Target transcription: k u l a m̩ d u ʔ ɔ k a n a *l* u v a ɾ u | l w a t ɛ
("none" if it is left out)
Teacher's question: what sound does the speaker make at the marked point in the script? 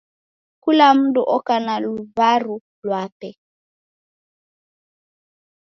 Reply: l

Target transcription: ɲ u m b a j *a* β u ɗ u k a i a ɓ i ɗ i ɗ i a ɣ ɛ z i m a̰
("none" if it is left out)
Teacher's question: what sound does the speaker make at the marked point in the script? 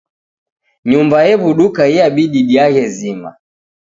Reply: ɛ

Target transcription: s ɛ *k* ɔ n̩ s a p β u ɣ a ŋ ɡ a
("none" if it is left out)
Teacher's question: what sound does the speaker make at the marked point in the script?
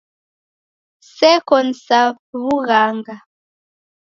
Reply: k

